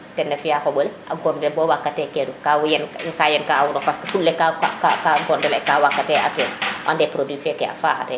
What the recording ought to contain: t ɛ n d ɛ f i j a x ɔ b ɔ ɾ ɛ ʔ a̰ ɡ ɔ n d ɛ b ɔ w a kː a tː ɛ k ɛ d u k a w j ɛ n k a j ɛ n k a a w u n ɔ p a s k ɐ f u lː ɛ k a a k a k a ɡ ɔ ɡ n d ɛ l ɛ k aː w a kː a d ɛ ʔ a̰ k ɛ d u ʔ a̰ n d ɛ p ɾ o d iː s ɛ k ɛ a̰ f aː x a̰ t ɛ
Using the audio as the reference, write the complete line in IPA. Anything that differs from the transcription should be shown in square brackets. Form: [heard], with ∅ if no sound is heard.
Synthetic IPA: t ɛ n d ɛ f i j a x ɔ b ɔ [l] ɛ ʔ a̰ ɡ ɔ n d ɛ b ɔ w a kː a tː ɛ k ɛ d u k a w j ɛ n k a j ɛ n k a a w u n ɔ p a s k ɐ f u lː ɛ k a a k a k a ɡ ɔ [∅] n d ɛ l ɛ k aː w a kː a [t] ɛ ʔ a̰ k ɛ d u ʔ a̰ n d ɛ p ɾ o d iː [f] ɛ k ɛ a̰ f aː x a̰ t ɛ